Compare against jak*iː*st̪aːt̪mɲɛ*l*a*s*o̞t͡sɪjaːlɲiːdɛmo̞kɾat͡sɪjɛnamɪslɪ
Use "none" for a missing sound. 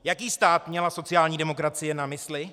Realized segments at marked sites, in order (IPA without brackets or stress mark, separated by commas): iː, l, s